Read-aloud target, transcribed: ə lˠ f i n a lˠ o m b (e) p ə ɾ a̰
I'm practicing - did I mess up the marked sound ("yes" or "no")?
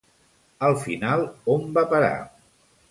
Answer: yes